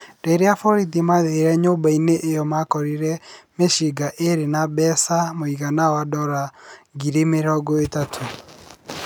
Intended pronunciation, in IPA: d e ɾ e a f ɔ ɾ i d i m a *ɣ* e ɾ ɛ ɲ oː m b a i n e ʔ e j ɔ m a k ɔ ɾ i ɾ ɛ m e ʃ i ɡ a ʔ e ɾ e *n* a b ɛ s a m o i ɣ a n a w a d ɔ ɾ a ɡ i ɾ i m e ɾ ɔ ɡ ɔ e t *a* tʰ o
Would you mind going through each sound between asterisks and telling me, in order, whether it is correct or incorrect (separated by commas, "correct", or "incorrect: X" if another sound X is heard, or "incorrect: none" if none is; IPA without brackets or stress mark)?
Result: incorrect: ð, correct, correct